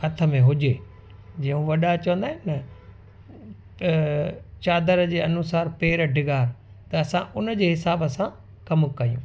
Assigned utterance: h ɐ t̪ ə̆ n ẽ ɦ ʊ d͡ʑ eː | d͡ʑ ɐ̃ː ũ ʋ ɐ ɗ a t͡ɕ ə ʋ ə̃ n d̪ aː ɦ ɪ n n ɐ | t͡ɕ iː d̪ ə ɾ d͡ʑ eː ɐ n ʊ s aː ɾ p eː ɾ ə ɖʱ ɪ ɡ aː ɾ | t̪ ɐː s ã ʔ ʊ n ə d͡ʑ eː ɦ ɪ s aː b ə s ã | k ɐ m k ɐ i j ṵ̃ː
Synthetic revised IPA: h ɐ t̪ʰ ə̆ m ẽ ɦ ʊ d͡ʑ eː | d͡ʑ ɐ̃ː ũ ʋ ɐ ɗ a t͡ɕ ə ʋ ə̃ n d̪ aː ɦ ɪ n n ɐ | t͡ɕ aː d̪ ə ɾ d͡ʑ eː ɐ n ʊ s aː ɾ p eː ɾ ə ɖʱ ɪ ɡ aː ɾ | t̪ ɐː s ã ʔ ʊ n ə d͡ʑ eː ɦ ɪ s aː b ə s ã | k ɐ m k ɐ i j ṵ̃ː